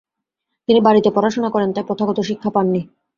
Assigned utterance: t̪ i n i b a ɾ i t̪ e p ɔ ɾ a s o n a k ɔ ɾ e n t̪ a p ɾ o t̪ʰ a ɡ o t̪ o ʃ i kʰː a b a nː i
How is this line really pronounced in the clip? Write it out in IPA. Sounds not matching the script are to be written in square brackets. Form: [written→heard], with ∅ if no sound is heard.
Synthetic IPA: t̪ i n i b a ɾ i t̪ e p ɔ ɾ a [s→ʃ] o n a k ɔ ɾ e n t̪ a p ɾ o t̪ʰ a ɡ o t̪ o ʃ i kʰː a [b→p] a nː i